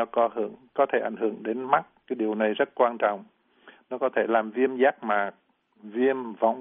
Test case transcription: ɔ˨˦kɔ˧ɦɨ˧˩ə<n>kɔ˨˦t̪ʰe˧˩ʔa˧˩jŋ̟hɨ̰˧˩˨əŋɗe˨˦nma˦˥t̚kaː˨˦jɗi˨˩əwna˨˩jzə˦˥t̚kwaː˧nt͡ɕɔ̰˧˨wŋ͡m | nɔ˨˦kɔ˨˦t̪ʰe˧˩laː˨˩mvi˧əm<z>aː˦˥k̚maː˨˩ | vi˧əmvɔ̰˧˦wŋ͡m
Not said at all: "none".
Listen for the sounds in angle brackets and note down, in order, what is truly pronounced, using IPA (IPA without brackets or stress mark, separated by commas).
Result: ŋ, z